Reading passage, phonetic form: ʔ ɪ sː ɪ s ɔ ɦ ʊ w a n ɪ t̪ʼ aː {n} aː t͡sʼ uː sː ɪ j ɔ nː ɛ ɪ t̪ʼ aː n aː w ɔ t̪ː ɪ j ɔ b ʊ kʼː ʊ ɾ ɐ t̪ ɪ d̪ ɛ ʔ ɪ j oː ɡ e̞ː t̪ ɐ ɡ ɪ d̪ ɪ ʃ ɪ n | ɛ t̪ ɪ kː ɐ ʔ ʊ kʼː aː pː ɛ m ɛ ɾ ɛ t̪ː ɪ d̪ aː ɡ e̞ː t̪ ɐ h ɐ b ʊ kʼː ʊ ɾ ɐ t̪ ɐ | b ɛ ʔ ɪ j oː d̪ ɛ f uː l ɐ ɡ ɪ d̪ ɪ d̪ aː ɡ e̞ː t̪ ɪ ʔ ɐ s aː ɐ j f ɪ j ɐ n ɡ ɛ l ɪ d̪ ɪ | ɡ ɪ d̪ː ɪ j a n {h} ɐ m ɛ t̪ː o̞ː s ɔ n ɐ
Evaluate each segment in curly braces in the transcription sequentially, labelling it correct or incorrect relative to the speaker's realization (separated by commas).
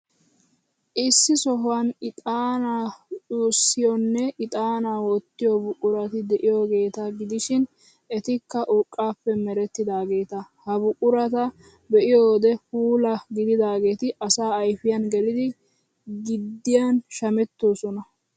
correct, incorrect